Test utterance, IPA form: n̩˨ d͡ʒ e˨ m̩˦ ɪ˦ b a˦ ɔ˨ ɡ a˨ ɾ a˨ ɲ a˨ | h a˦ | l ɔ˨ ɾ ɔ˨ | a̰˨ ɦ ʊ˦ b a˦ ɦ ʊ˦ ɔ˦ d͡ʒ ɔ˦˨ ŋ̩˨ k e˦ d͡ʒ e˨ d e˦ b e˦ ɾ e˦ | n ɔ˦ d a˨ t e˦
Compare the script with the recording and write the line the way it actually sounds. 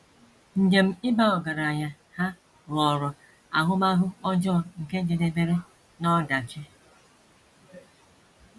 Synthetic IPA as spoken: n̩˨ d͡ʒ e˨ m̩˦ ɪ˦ b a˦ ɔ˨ ɡ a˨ ɾ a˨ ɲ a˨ | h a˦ | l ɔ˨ ɾ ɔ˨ | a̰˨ ɦ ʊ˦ m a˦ ɦ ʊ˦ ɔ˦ d͡ʒ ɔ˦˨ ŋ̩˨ k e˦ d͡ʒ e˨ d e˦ b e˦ ɾ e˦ | n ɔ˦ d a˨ t͡ʃ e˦

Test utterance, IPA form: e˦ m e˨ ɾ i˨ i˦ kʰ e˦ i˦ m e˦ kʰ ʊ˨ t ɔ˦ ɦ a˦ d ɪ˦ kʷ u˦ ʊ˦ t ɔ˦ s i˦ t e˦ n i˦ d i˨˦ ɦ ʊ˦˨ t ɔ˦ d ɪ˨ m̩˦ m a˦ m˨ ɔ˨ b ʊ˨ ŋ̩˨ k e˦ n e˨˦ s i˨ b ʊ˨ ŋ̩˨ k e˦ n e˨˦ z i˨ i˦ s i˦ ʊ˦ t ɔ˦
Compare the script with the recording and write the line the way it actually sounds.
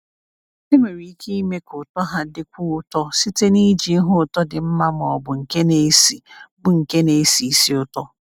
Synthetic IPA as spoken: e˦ m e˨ ɾ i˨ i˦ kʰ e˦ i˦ m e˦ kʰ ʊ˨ t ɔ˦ ɦ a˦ d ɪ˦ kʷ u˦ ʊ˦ t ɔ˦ s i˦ t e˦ n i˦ d͡ʒ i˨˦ ɦ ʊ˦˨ t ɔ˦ d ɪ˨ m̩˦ m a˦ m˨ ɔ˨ b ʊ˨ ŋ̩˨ k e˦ n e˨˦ s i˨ b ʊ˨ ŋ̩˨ k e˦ n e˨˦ s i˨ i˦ s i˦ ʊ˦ t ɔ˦

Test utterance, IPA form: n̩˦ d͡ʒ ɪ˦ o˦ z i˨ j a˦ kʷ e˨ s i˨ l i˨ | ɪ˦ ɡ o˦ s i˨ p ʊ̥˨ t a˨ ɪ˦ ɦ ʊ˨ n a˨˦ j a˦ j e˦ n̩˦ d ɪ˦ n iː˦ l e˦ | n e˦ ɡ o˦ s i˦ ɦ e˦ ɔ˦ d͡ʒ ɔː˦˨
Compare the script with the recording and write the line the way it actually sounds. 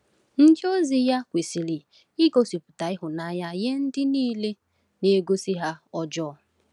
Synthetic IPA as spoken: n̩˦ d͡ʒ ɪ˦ o˦ z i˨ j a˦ kʷ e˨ s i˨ l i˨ | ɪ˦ ɡ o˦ s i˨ p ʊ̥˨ t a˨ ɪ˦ ɦ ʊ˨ n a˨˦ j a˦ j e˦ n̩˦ d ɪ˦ n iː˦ l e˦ | n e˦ ɡ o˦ s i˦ ɦ a˦ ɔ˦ d͡ʒ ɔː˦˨

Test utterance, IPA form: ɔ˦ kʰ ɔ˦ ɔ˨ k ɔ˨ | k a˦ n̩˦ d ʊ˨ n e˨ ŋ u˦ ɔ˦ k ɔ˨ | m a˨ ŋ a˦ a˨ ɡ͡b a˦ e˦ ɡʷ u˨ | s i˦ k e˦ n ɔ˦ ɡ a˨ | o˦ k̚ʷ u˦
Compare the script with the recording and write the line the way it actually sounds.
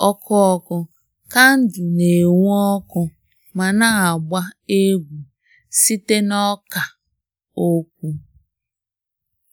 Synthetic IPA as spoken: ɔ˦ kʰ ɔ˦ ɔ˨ k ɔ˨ | k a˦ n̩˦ d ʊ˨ n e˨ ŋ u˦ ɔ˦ k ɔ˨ | m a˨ n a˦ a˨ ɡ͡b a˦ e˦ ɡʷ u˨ | s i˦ t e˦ n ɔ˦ k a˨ | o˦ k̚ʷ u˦

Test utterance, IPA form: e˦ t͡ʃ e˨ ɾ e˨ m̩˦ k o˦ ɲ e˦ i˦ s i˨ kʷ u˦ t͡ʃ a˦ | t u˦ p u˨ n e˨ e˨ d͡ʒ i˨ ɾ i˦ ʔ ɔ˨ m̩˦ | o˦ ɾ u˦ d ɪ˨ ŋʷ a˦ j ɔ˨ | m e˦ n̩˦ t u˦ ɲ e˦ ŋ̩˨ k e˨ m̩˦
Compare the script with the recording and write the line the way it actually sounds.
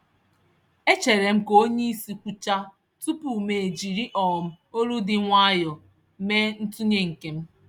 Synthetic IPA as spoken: e˦ t͡ʃ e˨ ɾ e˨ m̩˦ k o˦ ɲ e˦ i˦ s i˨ kʷ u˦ t͡ʃ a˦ | t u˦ p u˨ m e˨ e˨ d͡ʒ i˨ ɾ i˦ ʔ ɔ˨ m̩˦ | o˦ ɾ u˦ d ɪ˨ ŋʷ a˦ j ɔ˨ | m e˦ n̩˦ t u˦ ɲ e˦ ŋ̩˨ k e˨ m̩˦

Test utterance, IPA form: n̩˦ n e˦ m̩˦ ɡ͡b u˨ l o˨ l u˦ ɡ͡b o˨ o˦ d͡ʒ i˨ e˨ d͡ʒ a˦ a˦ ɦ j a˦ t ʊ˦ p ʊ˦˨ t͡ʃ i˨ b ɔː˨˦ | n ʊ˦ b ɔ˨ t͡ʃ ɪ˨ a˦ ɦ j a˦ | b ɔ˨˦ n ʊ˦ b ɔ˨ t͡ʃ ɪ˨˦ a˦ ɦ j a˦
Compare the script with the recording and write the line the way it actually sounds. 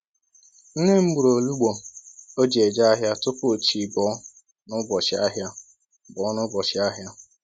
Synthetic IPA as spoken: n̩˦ n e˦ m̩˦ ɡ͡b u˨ ɾ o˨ l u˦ ɡ͡b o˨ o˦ d͡ʒ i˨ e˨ d͡ʒ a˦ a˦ ɦ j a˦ t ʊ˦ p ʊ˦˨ t͡ʃ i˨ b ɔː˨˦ | n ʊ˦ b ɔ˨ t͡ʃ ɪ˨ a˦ ɦ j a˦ | b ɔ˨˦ n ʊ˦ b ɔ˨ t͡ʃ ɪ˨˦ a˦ ɦ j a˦

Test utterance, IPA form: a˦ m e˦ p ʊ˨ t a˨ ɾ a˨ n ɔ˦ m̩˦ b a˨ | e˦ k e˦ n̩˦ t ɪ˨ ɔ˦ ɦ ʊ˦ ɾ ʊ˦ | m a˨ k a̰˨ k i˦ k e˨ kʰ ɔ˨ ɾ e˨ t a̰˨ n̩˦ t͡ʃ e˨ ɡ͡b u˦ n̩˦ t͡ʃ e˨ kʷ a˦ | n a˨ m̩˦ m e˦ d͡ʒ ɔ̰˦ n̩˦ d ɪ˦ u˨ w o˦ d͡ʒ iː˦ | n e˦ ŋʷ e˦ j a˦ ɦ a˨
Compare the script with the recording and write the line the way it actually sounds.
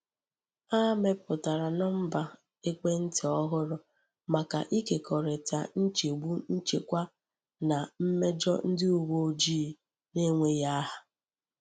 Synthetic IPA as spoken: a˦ m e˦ p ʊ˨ t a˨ ɾ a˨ n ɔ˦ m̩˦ b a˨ | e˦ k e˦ n̩˦ t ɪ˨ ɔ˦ ɦ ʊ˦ ɾ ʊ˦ | m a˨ k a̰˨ ʔ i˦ k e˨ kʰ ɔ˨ ɾ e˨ t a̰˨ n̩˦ t͡ʃ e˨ ɡ͡b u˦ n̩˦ t͡ʃ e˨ kʷ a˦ | n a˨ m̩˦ m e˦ d͡ʒ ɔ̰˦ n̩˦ d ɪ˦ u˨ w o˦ d͡ʒ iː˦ | n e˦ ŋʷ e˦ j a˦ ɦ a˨

